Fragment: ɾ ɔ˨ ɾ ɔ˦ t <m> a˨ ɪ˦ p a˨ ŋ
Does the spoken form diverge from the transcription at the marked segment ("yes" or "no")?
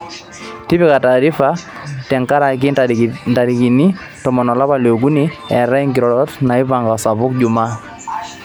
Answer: yes